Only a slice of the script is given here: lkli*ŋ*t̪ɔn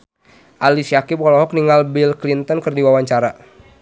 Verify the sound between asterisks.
incorrect: n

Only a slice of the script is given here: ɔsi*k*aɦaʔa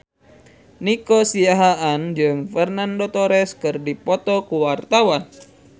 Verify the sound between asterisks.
incorrect: none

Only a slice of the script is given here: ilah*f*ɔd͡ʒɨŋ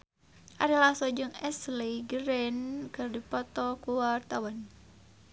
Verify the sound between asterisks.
incorrect: s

